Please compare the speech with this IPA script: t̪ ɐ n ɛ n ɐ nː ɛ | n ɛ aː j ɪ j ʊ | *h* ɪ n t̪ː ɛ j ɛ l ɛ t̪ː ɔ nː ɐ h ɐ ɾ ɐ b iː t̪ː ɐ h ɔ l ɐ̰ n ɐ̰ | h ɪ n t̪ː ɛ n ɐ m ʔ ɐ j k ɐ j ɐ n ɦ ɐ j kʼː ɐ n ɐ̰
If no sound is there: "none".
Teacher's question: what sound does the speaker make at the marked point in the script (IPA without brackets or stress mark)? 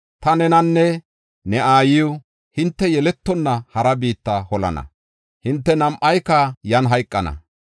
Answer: h